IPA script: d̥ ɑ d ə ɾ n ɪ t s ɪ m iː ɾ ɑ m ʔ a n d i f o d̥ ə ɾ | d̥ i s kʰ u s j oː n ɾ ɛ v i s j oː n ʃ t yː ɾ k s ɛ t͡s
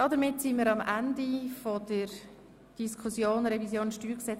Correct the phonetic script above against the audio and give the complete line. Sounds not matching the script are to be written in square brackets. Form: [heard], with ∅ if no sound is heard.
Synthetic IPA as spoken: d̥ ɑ d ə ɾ [m] ɪ t s [i] m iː ɾ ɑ m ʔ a n d i f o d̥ ə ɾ | d̥ i s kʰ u s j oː n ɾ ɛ v i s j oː n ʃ t yː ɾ k s ɛ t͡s